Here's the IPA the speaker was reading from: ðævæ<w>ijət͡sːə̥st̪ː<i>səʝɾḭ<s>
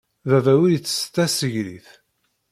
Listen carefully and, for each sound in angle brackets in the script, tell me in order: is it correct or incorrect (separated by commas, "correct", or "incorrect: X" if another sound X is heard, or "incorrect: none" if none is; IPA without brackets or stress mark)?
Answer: correct, incorrect: æ, incorrect: θ